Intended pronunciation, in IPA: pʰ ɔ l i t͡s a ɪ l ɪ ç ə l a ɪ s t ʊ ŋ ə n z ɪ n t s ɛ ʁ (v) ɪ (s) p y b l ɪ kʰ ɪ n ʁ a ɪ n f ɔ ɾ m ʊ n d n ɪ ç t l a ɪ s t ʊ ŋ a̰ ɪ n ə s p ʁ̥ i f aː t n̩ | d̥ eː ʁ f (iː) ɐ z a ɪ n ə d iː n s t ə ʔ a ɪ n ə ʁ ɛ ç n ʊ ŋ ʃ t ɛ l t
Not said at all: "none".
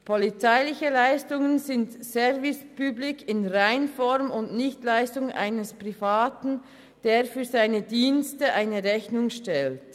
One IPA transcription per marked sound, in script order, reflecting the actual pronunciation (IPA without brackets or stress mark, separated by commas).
v, s, yː